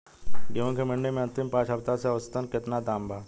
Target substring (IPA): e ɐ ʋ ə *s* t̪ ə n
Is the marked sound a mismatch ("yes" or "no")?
no